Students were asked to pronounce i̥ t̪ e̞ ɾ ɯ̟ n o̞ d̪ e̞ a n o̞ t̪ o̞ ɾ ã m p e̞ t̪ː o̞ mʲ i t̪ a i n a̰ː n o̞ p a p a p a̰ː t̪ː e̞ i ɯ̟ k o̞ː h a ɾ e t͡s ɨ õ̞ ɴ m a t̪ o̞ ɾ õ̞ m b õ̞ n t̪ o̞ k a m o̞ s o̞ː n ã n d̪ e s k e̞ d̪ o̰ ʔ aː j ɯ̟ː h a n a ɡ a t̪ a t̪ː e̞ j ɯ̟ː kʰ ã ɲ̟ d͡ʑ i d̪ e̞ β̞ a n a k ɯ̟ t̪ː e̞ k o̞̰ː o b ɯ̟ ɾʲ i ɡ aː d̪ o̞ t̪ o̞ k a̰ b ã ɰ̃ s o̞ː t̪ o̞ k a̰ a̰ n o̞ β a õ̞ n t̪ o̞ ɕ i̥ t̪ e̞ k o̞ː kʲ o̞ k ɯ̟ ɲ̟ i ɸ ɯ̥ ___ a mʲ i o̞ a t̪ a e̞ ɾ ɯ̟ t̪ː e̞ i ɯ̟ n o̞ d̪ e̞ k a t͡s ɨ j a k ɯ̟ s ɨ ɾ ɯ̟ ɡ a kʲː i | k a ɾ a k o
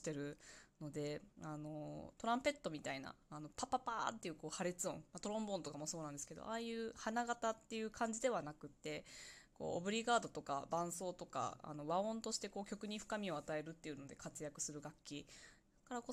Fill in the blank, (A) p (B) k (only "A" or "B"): B